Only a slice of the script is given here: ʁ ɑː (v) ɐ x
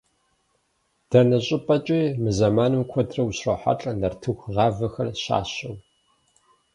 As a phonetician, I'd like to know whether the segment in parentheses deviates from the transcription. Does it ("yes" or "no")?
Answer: no